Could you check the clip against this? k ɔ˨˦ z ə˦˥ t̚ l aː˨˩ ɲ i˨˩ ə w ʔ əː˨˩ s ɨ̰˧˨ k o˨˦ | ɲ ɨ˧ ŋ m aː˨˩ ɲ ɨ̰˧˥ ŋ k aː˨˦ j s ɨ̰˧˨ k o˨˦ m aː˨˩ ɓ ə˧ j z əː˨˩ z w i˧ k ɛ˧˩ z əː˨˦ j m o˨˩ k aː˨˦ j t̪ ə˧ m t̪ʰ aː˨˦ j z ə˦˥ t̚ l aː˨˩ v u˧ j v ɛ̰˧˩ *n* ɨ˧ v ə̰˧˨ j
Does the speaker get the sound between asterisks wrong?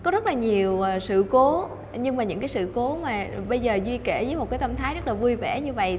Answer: yes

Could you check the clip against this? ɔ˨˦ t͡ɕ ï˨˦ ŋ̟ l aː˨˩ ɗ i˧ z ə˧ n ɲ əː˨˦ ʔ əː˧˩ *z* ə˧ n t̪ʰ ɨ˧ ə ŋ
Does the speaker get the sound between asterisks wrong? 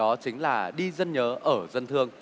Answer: no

